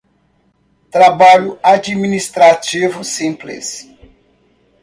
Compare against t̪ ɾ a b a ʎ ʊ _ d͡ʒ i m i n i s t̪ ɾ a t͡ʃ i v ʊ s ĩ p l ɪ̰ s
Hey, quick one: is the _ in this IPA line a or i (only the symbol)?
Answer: a